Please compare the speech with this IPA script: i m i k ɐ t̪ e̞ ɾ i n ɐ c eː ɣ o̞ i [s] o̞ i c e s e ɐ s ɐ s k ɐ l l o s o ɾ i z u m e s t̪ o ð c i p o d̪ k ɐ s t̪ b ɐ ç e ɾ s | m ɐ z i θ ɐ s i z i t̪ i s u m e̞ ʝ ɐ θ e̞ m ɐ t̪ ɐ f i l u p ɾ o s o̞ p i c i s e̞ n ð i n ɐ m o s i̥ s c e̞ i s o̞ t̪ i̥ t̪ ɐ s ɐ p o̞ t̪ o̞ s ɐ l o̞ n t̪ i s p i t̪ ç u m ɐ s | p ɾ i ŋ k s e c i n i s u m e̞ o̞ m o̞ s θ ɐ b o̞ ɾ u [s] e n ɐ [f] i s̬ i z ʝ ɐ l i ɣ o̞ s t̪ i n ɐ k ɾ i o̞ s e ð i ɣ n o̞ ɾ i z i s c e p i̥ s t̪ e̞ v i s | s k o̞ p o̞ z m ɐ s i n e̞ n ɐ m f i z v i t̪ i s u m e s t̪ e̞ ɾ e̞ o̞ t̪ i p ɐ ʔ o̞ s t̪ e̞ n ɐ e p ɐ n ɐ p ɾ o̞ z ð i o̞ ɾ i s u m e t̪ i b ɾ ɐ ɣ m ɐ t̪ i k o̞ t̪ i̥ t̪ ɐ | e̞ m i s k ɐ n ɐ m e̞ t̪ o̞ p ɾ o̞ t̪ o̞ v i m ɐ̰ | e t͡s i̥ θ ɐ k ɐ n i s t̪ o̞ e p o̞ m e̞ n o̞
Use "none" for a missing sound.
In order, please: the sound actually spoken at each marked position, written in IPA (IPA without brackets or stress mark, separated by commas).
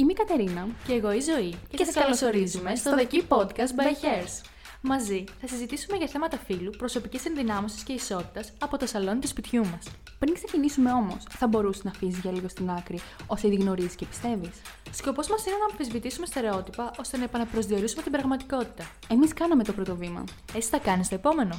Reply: z, s, f